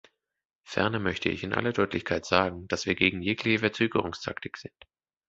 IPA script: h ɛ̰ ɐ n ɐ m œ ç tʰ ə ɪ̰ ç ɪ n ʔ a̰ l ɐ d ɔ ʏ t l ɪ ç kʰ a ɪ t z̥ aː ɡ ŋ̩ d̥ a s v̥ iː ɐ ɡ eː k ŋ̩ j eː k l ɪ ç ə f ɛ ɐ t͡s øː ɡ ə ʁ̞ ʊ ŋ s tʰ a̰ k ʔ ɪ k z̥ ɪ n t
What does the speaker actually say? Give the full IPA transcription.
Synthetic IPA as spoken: f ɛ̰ ɐ n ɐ m œ ç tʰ ə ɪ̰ ç ɪ n ʔ a̰ l ɐ d ɔ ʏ t l ɪ ç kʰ a ɪ t z̥ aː ɡ ŋ̩ d̥ a s v̥ iː ɐ ɡ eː ɡ ŋ̩ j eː k l ɪ ç ə f ɛ ɐ t͡s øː ɡ ə ʁ̞ ʊ ŋ s tʰ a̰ k t ɪ k z̥ ɪ n t